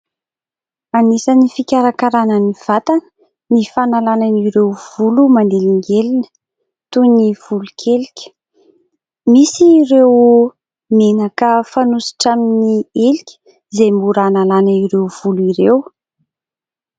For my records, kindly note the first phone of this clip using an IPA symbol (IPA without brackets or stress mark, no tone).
a